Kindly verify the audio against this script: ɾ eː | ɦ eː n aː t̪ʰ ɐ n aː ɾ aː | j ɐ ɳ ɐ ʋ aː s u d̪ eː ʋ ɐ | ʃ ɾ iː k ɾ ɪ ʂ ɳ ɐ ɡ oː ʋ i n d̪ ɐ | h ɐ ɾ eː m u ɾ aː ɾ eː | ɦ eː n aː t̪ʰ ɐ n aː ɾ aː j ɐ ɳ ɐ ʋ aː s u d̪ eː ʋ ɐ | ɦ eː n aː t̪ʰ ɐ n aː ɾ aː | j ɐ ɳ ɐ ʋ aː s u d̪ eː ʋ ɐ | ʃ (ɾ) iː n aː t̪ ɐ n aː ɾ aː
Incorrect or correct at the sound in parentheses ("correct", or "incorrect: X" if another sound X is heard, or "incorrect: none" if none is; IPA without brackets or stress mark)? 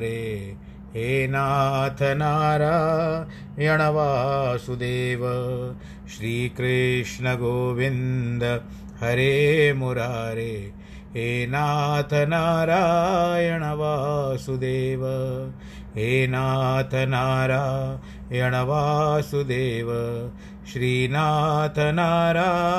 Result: correct